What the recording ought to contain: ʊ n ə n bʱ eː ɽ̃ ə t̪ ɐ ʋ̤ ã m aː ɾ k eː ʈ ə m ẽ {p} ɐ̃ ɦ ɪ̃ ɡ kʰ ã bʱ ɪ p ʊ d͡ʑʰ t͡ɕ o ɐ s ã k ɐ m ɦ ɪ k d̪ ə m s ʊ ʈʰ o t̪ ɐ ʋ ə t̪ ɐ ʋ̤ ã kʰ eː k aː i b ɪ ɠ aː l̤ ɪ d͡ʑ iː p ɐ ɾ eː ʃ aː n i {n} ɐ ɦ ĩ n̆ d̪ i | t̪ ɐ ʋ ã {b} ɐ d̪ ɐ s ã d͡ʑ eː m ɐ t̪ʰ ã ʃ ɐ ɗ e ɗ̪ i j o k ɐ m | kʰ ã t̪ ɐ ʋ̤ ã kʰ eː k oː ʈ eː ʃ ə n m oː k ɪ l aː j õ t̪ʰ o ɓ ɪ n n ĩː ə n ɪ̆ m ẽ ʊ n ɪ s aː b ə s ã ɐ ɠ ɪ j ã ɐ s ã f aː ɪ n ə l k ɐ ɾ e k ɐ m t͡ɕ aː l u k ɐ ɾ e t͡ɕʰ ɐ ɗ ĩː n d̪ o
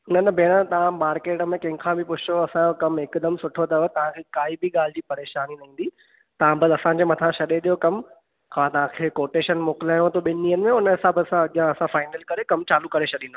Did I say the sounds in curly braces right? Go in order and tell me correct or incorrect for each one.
incorrect, correct, correct

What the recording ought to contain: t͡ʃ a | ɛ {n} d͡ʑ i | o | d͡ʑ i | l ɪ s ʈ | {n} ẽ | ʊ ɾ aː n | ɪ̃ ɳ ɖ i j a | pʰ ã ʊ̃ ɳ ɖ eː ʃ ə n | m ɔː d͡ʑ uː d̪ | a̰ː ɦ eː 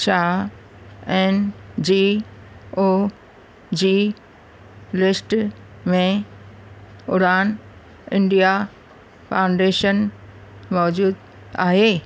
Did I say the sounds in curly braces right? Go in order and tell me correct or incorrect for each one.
correct, incorrect

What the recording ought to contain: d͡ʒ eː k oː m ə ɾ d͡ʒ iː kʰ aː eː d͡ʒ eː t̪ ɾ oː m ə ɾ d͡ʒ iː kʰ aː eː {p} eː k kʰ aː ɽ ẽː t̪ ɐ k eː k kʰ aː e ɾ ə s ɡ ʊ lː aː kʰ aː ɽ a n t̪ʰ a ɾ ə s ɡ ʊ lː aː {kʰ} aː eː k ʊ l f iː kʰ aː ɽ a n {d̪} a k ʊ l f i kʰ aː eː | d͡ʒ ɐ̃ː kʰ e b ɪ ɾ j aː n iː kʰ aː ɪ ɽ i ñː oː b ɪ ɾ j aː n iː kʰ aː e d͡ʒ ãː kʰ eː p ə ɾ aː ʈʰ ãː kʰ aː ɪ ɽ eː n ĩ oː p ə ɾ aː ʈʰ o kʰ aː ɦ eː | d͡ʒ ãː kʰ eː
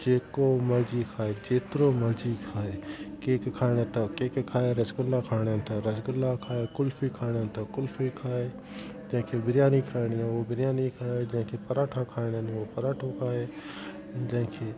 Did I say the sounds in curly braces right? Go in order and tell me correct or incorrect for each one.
incorrect, correct, incorrect

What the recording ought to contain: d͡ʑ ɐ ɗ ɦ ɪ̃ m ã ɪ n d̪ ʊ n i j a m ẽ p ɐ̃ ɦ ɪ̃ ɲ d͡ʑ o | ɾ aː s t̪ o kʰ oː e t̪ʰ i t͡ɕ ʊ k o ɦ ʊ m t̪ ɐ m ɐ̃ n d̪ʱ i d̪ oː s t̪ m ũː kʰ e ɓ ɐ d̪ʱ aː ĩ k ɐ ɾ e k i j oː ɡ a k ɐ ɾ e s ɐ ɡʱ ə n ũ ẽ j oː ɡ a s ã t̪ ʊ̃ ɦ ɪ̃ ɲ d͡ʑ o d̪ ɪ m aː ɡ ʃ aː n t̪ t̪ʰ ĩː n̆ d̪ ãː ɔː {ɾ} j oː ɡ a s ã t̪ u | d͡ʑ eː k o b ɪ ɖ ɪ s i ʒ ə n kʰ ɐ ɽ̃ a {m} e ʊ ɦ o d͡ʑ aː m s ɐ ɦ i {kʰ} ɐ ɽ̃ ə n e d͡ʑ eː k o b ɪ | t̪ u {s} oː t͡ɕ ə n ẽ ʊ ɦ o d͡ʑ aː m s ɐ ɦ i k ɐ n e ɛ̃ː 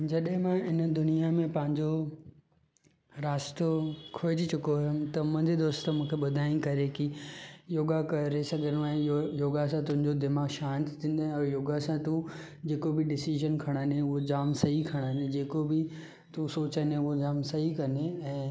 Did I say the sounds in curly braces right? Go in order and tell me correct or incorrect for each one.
correct, incorrect, correct, correct

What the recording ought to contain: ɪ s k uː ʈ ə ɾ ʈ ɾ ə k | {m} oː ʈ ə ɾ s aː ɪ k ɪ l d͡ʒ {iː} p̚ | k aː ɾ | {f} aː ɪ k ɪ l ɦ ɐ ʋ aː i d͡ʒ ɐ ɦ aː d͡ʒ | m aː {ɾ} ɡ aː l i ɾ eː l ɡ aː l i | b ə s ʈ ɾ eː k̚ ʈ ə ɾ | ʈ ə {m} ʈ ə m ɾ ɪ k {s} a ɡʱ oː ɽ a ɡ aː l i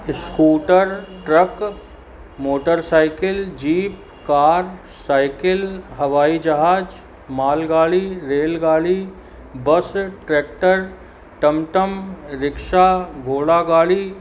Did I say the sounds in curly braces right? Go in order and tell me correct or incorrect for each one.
correct, correct, incorrect, incorrect, correct, incorrect

